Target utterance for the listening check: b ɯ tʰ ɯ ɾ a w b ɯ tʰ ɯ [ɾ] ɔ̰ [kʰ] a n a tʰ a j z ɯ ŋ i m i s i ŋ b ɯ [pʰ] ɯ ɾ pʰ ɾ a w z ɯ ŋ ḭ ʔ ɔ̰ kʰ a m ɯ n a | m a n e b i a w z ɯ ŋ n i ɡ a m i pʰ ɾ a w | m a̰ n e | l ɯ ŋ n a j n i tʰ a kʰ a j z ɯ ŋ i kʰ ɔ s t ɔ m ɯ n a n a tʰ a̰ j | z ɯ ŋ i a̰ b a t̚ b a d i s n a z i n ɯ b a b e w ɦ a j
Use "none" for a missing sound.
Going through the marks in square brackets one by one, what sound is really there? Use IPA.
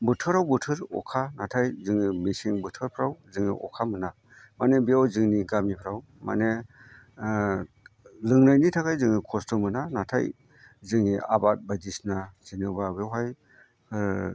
ɾ, kʰ, tʰ

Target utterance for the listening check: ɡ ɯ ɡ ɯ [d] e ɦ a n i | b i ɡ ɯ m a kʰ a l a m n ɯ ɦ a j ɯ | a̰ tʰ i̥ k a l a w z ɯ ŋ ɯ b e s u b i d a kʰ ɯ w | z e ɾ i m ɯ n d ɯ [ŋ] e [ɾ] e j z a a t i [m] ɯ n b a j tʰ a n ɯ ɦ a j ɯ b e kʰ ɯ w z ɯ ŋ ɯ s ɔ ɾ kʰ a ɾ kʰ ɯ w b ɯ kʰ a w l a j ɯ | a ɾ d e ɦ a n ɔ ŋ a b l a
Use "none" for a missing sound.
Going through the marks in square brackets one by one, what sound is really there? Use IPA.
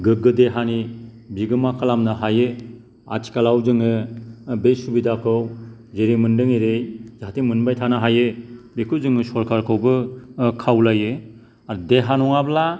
d, ŋ, ɾ, m

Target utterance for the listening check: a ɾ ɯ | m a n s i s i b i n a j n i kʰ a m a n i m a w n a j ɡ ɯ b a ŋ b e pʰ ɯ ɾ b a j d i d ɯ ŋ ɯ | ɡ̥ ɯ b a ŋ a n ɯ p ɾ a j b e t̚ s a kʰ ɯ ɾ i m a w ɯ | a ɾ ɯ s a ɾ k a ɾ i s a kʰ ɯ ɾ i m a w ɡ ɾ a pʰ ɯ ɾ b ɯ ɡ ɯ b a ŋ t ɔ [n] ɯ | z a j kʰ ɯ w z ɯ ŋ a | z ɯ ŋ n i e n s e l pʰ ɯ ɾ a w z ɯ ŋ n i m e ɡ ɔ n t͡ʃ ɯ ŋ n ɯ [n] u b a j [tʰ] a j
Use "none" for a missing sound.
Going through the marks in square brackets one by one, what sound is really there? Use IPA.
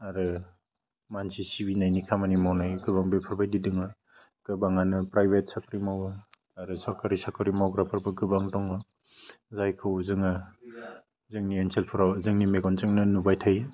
ŋ, n, tʰ

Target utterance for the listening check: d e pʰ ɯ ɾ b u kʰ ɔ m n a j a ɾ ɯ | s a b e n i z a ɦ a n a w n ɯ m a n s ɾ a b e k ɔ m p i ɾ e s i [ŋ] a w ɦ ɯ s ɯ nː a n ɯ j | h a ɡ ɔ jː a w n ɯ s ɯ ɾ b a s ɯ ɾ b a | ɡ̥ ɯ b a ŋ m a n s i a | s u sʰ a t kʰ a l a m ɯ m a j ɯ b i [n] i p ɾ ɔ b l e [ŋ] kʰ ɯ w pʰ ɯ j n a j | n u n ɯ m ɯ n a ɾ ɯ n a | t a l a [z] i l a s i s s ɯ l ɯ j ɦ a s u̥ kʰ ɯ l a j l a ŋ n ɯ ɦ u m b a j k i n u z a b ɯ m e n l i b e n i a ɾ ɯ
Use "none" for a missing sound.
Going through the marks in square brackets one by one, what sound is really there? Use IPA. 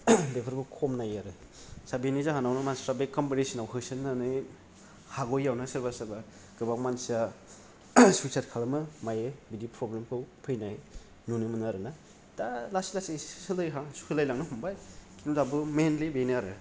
n, d, m, s

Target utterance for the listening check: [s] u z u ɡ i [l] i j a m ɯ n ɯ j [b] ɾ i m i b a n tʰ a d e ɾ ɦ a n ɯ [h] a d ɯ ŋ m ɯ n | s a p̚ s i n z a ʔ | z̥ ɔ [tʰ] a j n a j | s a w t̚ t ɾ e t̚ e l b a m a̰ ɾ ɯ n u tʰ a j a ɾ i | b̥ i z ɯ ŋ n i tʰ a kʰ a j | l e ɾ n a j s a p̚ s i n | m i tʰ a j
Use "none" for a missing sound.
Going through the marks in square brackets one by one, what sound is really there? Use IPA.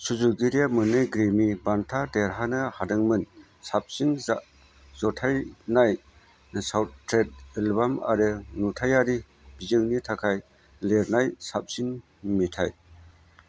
s, ɾ, ɡ, h, tʰ

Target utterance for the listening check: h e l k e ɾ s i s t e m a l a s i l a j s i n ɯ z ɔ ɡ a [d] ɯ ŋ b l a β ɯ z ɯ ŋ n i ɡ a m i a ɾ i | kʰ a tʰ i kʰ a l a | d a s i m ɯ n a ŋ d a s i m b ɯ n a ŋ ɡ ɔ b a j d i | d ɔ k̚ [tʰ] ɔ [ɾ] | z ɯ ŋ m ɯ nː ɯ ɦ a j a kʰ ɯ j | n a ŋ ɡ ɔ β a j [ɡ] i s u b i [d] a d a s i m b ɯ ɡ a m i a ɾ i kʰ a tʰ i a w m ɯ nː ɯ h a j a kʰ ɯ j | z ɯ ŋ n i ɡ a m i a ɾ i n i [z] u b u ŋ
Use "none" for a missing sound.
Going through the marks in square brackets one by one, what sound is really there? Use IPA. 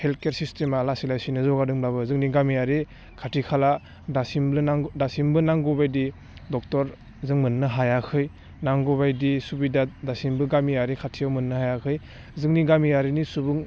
d, t, ɾ, d, d, s

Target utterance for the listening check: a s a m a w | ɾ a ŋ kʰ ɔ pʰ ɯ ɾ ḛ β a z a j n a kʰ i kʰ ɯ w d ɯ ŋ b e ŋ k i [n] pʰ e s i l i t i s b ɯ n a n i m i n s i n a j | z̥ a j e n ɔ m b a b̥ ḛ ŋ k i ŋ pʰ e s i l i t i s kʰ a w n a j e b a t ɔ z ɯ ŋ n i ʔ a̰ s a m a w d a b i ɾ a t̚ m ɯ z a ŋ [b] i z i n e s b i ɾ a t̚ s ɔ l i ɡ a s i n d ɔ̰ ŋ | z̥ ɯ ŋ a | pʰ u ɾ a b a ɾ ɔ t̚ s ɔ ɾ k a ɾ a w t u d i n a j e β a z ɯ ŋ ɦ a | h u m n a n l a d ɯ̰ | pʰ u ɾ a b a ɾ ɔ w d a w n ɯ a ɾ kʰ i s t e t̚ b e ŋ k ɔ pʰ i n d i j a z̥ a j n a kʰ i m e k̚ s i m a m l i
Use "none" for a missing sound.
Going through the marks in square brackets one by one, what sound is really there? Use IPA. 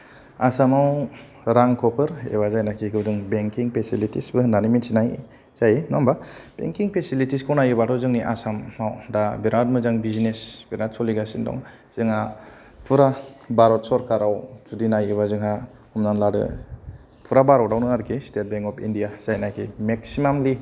ŋ, b

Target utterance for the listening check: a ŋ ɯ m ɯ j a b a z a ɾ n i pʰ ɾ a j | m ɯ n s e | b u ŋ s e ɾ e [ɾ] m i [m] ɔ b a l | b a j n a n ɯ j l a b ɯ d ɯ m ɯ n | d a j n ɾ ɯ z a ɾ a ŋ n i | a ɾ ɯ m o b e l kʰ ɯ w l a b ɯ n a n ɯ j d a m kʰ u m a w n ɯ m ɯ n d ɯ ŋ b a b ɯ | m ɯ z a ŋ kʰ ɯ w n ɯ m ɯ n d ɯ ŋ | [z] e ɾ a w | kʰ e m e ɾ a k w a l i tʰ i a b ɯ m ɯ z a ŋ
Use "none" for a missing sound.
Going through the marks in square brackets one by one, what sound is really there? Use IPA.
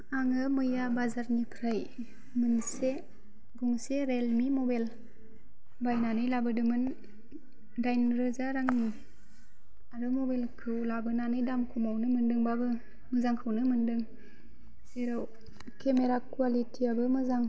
l, m, s

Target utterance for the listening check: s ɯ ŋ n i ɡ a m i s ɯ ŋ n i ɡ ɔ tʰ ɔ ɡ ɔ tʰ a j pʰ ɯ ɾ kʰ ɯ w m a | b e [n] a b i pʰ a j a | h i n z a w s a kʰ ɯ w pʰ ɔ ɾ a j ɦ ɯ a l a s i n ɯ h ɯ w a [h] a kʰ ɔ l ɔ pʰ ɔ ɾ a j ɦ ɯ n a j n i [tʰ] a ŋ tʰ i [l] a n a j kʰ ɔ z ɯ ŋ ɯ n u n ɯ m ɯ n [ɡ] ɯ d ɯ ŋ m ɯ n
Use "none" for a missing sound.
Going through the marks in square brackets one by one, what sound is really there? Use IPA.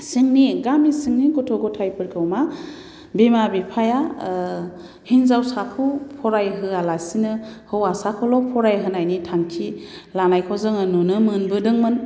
m, s, tʰ, l, b

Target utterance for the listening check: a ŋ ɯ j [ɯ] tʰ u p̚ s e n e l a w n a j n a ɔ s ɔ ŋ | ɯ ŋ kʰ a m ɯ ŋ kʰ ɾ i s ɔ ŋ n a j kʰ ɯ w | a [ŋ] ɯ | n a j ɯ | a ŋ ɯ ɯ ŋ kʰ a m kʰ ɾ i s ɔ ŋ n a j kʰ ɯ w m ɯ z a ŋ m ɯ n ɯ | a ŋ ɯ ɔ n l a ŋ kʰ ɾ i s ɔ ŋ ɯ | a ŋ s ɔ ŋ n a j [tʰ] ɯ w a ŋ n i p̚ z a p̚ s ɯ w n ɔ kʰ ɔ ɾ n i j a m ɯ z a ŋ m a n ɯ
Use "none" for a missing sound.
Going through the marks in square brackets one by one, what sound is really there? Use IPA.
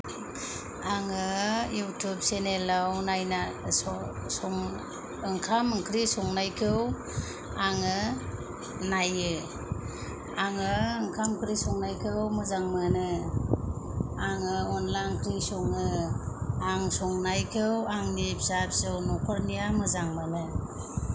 u, ŋ, kʰ

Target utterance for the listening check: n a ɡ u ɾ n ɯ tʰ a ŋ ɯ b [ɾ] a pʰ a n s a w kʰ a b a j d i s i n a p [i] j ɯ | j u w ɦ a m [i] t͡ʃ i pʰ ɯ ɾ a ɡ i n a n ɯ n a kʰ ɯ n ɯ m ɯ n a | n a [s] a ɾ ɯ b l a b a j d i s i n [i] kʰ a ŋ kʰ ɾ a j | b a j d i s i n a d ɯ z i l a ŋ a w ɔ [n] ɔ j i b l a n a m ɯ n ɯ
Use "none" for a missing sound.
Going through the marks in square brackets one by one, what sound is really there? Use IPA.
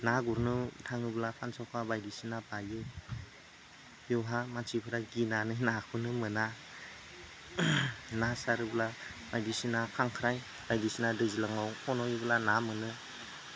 l, a, a, s, a, n

